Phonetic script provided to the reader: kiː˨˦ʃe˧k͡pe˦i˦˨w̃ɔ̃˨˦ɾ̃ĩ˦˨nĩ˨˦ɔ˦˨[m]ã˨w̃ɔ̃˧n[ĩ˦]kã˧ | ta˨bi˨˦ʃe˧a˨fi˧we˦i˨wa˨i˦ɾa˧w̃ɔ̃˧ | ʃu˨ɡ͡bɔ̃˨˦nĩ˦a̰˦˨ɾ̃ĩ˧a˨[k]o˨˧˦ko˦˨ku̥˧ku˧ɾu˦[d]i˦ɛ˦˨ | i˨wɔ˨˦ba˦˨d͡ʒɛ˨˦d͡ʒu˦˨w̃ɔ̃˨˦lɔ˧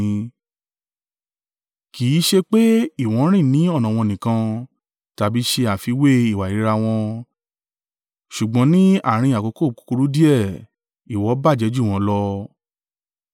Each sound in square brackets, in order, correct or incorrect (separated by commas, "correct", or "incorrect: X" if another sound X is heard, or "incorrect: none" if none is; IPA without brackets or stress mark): incorrect: n, incorrect: ĩ˨, correct, correct